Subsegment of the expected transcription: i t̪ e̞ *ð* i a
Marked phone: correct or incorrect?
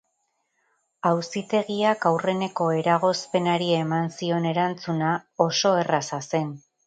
incorrect